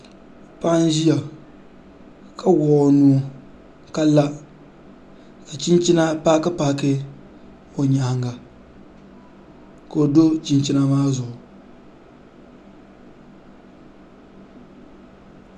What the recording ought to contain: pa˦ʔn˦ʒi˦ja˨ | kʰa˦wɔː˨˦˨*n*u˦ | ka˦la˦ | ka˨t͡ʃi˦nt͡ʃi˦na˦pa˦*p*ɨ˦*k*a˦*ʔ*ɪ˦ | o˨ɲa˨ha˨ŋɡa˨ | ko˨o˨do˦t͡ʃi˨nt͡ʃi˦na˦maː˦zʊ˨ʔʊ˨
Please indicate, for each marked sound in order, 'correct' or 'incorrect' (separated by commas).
correct, incorrect, incorrect, incorrect